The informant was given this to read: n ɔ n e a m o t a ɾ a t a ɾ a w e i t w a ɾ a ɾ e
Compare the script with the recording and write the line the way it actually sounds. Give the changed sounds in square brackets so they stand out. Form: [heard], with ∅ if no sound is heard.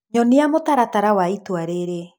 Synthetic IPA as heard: [ɲ] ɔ n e a m o t a ɾ a t a ɾ a w [a] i t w a ɾ [e] ɾ e